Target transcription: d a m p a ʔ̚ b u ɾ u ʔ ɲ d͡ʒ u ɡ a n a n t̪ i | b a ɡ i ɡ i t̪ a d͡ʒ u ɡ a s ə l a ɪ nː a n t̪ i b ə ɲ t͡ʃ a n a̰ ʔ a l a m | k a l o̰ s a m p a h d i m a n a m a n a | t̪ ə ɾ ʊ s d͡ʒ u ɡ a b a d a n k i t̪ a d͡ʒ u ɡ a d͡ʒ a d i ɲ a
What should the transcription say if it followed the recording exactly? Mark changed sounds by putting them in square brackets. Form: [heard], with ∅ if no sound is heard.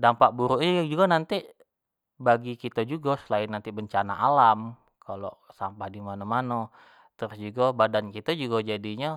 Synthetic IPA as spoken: d a m p a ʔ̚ b u ɾ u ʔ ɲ d͡ʒ u ɡ a n a n t̪ i | b a ɡ i [k] i t̪ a d͡ʒ u ɡ a s ə l a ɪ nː a n t̪ i b ə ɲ t͡ʃ a n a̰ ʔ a l a m | k a l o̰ s a m p a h d i m a n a m a n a | t̪ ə ɾ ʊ s d͡ʒ u ɡ a b a d a n k i t̪ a d͡ʒ u ɡ a d͡ʒ a d i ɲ a